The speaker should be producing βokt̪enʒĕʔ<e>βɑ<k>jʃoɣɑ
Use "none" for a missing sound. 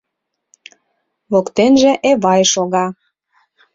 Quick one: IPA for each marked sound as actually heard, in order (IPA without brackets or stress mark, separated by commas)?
e, none